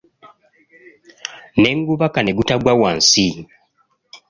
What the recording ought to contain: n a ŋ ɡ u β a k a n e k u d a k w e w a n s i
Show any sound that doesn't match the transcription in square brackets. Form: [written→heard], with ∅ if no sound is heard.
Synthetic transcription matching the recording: n [a→e] ŋ ɡ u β a k a n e [k→ɡ] u [d→t] a [k→ɡ] w [e→a] w a n s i